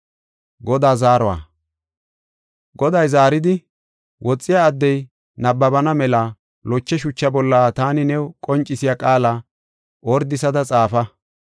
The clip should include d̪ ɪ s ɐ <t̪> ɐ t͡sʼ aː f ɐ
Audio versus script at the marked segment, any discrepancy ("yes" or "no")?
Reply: yes